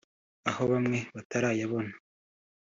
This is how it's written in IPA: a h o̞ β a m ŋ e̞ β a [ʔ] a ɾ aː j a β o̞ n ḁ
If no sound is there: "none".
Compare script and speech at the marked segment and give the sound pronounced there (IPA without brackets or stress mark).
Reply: t